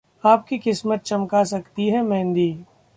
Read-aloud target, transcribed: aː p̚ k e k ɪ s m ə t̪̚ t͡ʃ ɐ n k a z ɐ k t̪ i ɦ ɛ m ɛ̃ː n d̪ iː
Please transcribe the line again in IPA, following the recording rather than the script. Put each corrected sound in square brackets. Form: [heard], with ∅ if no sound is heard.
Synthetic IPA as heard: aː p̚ k [i] k ɪ s m ə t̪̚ t͡ʃ ɐ [m] k a [s] ɐ k t̪ i ɦ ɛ m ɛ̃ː n d̪ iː